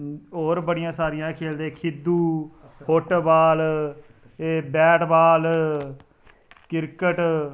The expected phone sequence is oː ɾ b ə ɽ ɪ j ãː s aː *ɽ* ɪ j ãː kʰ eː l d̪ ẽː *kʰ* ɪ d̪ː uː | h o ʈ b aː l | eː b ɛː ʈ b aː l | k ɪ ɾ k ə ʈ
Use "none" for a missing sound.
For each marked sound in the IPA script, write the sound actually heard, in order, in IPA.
ɾ, kʰ

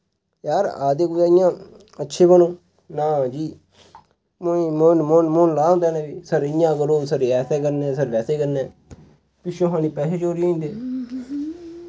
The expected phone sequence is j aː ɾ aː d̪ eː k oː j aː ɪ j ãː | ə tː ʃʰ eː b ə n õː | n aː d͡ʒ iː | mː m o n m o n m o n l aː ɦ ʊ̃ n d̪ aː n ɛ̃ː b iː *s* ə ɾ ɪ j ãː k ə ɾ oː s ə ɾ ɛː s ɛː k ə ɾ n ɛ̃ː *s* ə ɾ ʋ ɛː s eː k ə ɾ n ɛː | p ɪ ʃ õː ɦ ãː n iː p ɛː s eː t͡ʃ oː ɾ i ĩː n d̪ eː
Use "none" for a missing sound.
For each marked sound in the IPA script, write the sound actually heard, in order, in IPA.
s, s

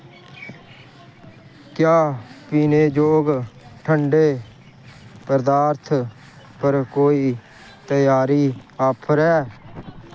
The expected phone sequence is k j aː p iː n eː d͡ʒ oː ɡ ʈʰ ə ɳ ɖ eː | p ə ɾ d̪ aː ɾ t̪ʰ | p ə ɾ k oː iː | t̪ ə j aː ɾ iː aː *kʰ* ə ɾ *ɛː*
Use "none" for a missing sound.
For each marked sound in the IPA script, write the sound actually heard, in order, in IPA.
pʰ, ɛː

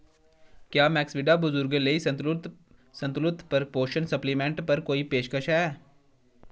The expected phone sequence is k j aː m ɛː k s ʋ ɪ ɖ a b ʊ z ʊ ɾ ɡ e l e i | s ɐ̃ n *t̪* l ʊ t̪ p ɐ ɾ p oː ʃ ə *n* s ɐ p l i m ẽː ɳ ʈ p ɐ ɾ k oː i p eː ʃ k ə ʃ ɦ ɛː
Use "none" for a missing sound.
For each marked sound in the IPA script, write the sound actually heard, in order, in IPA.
t̪, n

